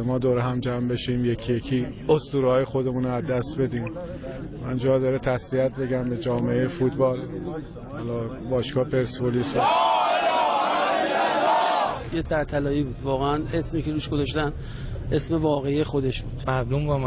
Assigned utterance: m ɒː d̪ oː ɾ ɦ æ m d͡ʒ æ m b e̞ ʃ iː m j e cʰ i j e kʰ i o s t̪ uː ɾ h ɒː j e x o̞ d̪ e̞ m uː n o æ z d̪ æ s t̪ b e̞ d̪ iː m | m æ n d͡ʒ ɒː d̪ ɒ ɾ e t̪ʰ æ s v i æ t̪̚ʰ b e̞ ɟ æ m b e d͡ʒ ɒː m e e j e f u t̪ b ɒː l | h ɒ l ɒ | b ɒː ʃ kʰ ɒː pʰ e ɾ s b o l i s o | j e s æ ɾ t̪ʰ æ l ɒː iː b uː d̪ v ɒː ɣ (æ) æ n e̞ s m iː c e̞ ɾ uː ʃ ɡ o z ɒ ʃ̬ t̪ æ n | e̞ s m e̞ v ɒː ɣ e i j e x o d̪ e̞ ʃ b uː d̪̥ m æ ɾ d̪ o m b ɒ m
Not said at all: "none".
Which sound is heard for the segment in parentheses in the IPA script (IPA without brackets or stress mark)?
e